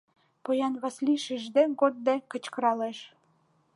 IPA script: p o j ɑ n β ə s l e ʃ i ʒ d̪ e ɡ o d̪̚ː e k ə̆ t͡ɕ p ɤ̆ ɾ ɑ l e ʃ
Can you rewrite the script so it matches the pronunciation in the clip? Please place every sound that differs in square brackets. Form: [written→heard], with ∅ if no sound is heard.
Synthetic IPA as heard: p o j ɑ n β [ə→ɑ] s l [e→i] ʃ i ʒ d̪ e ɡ o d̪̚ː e k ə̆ t͡ɕ [p→k] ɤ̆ ɾ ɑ l e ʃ